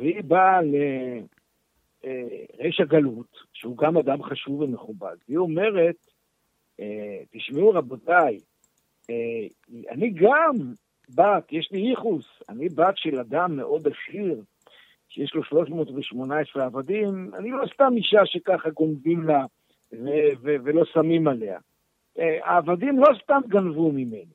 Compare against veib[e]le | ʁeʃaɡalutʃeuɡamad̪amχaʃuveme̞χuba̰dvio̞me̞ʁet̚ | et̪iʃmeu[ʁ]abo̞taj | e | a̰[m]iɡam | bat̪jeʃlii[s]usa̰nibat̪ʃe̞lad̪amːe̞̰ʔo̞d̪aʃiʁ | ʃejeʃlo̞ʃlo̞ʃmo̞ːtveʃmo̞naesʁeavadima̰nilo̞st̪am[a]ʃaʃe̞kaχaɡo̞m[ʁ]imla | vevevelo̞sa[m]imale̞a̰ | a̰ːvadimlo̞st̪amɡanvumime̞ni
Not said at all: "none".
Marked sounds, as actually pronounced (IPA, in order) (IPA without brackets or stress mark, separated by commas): a, ʁ, n, χ, i, v, m